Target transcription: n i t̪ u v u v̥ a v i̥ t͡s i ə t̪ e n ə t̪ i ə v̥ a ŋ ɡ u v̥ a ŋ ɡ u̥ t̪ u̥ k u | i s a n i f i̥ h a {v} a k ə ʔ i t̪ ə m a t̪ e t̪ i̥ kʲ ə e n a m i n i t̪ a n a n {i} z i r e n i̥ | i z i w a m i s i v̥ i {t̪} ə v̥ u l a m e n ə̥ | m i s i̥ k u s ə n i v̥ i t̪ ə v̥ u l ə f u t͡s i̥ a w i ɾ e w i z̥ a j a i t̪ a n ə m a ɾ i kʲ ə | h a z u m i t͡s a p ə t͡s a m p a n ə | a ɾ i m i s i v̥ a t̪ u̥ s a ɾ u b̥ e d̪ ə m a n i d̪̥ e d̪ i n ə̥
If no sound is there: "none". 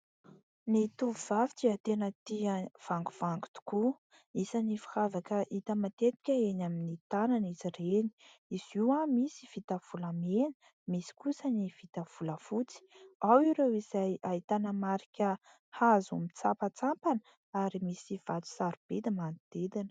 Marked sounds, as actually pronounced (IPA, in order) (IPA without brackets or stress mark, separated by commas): v, i, t̪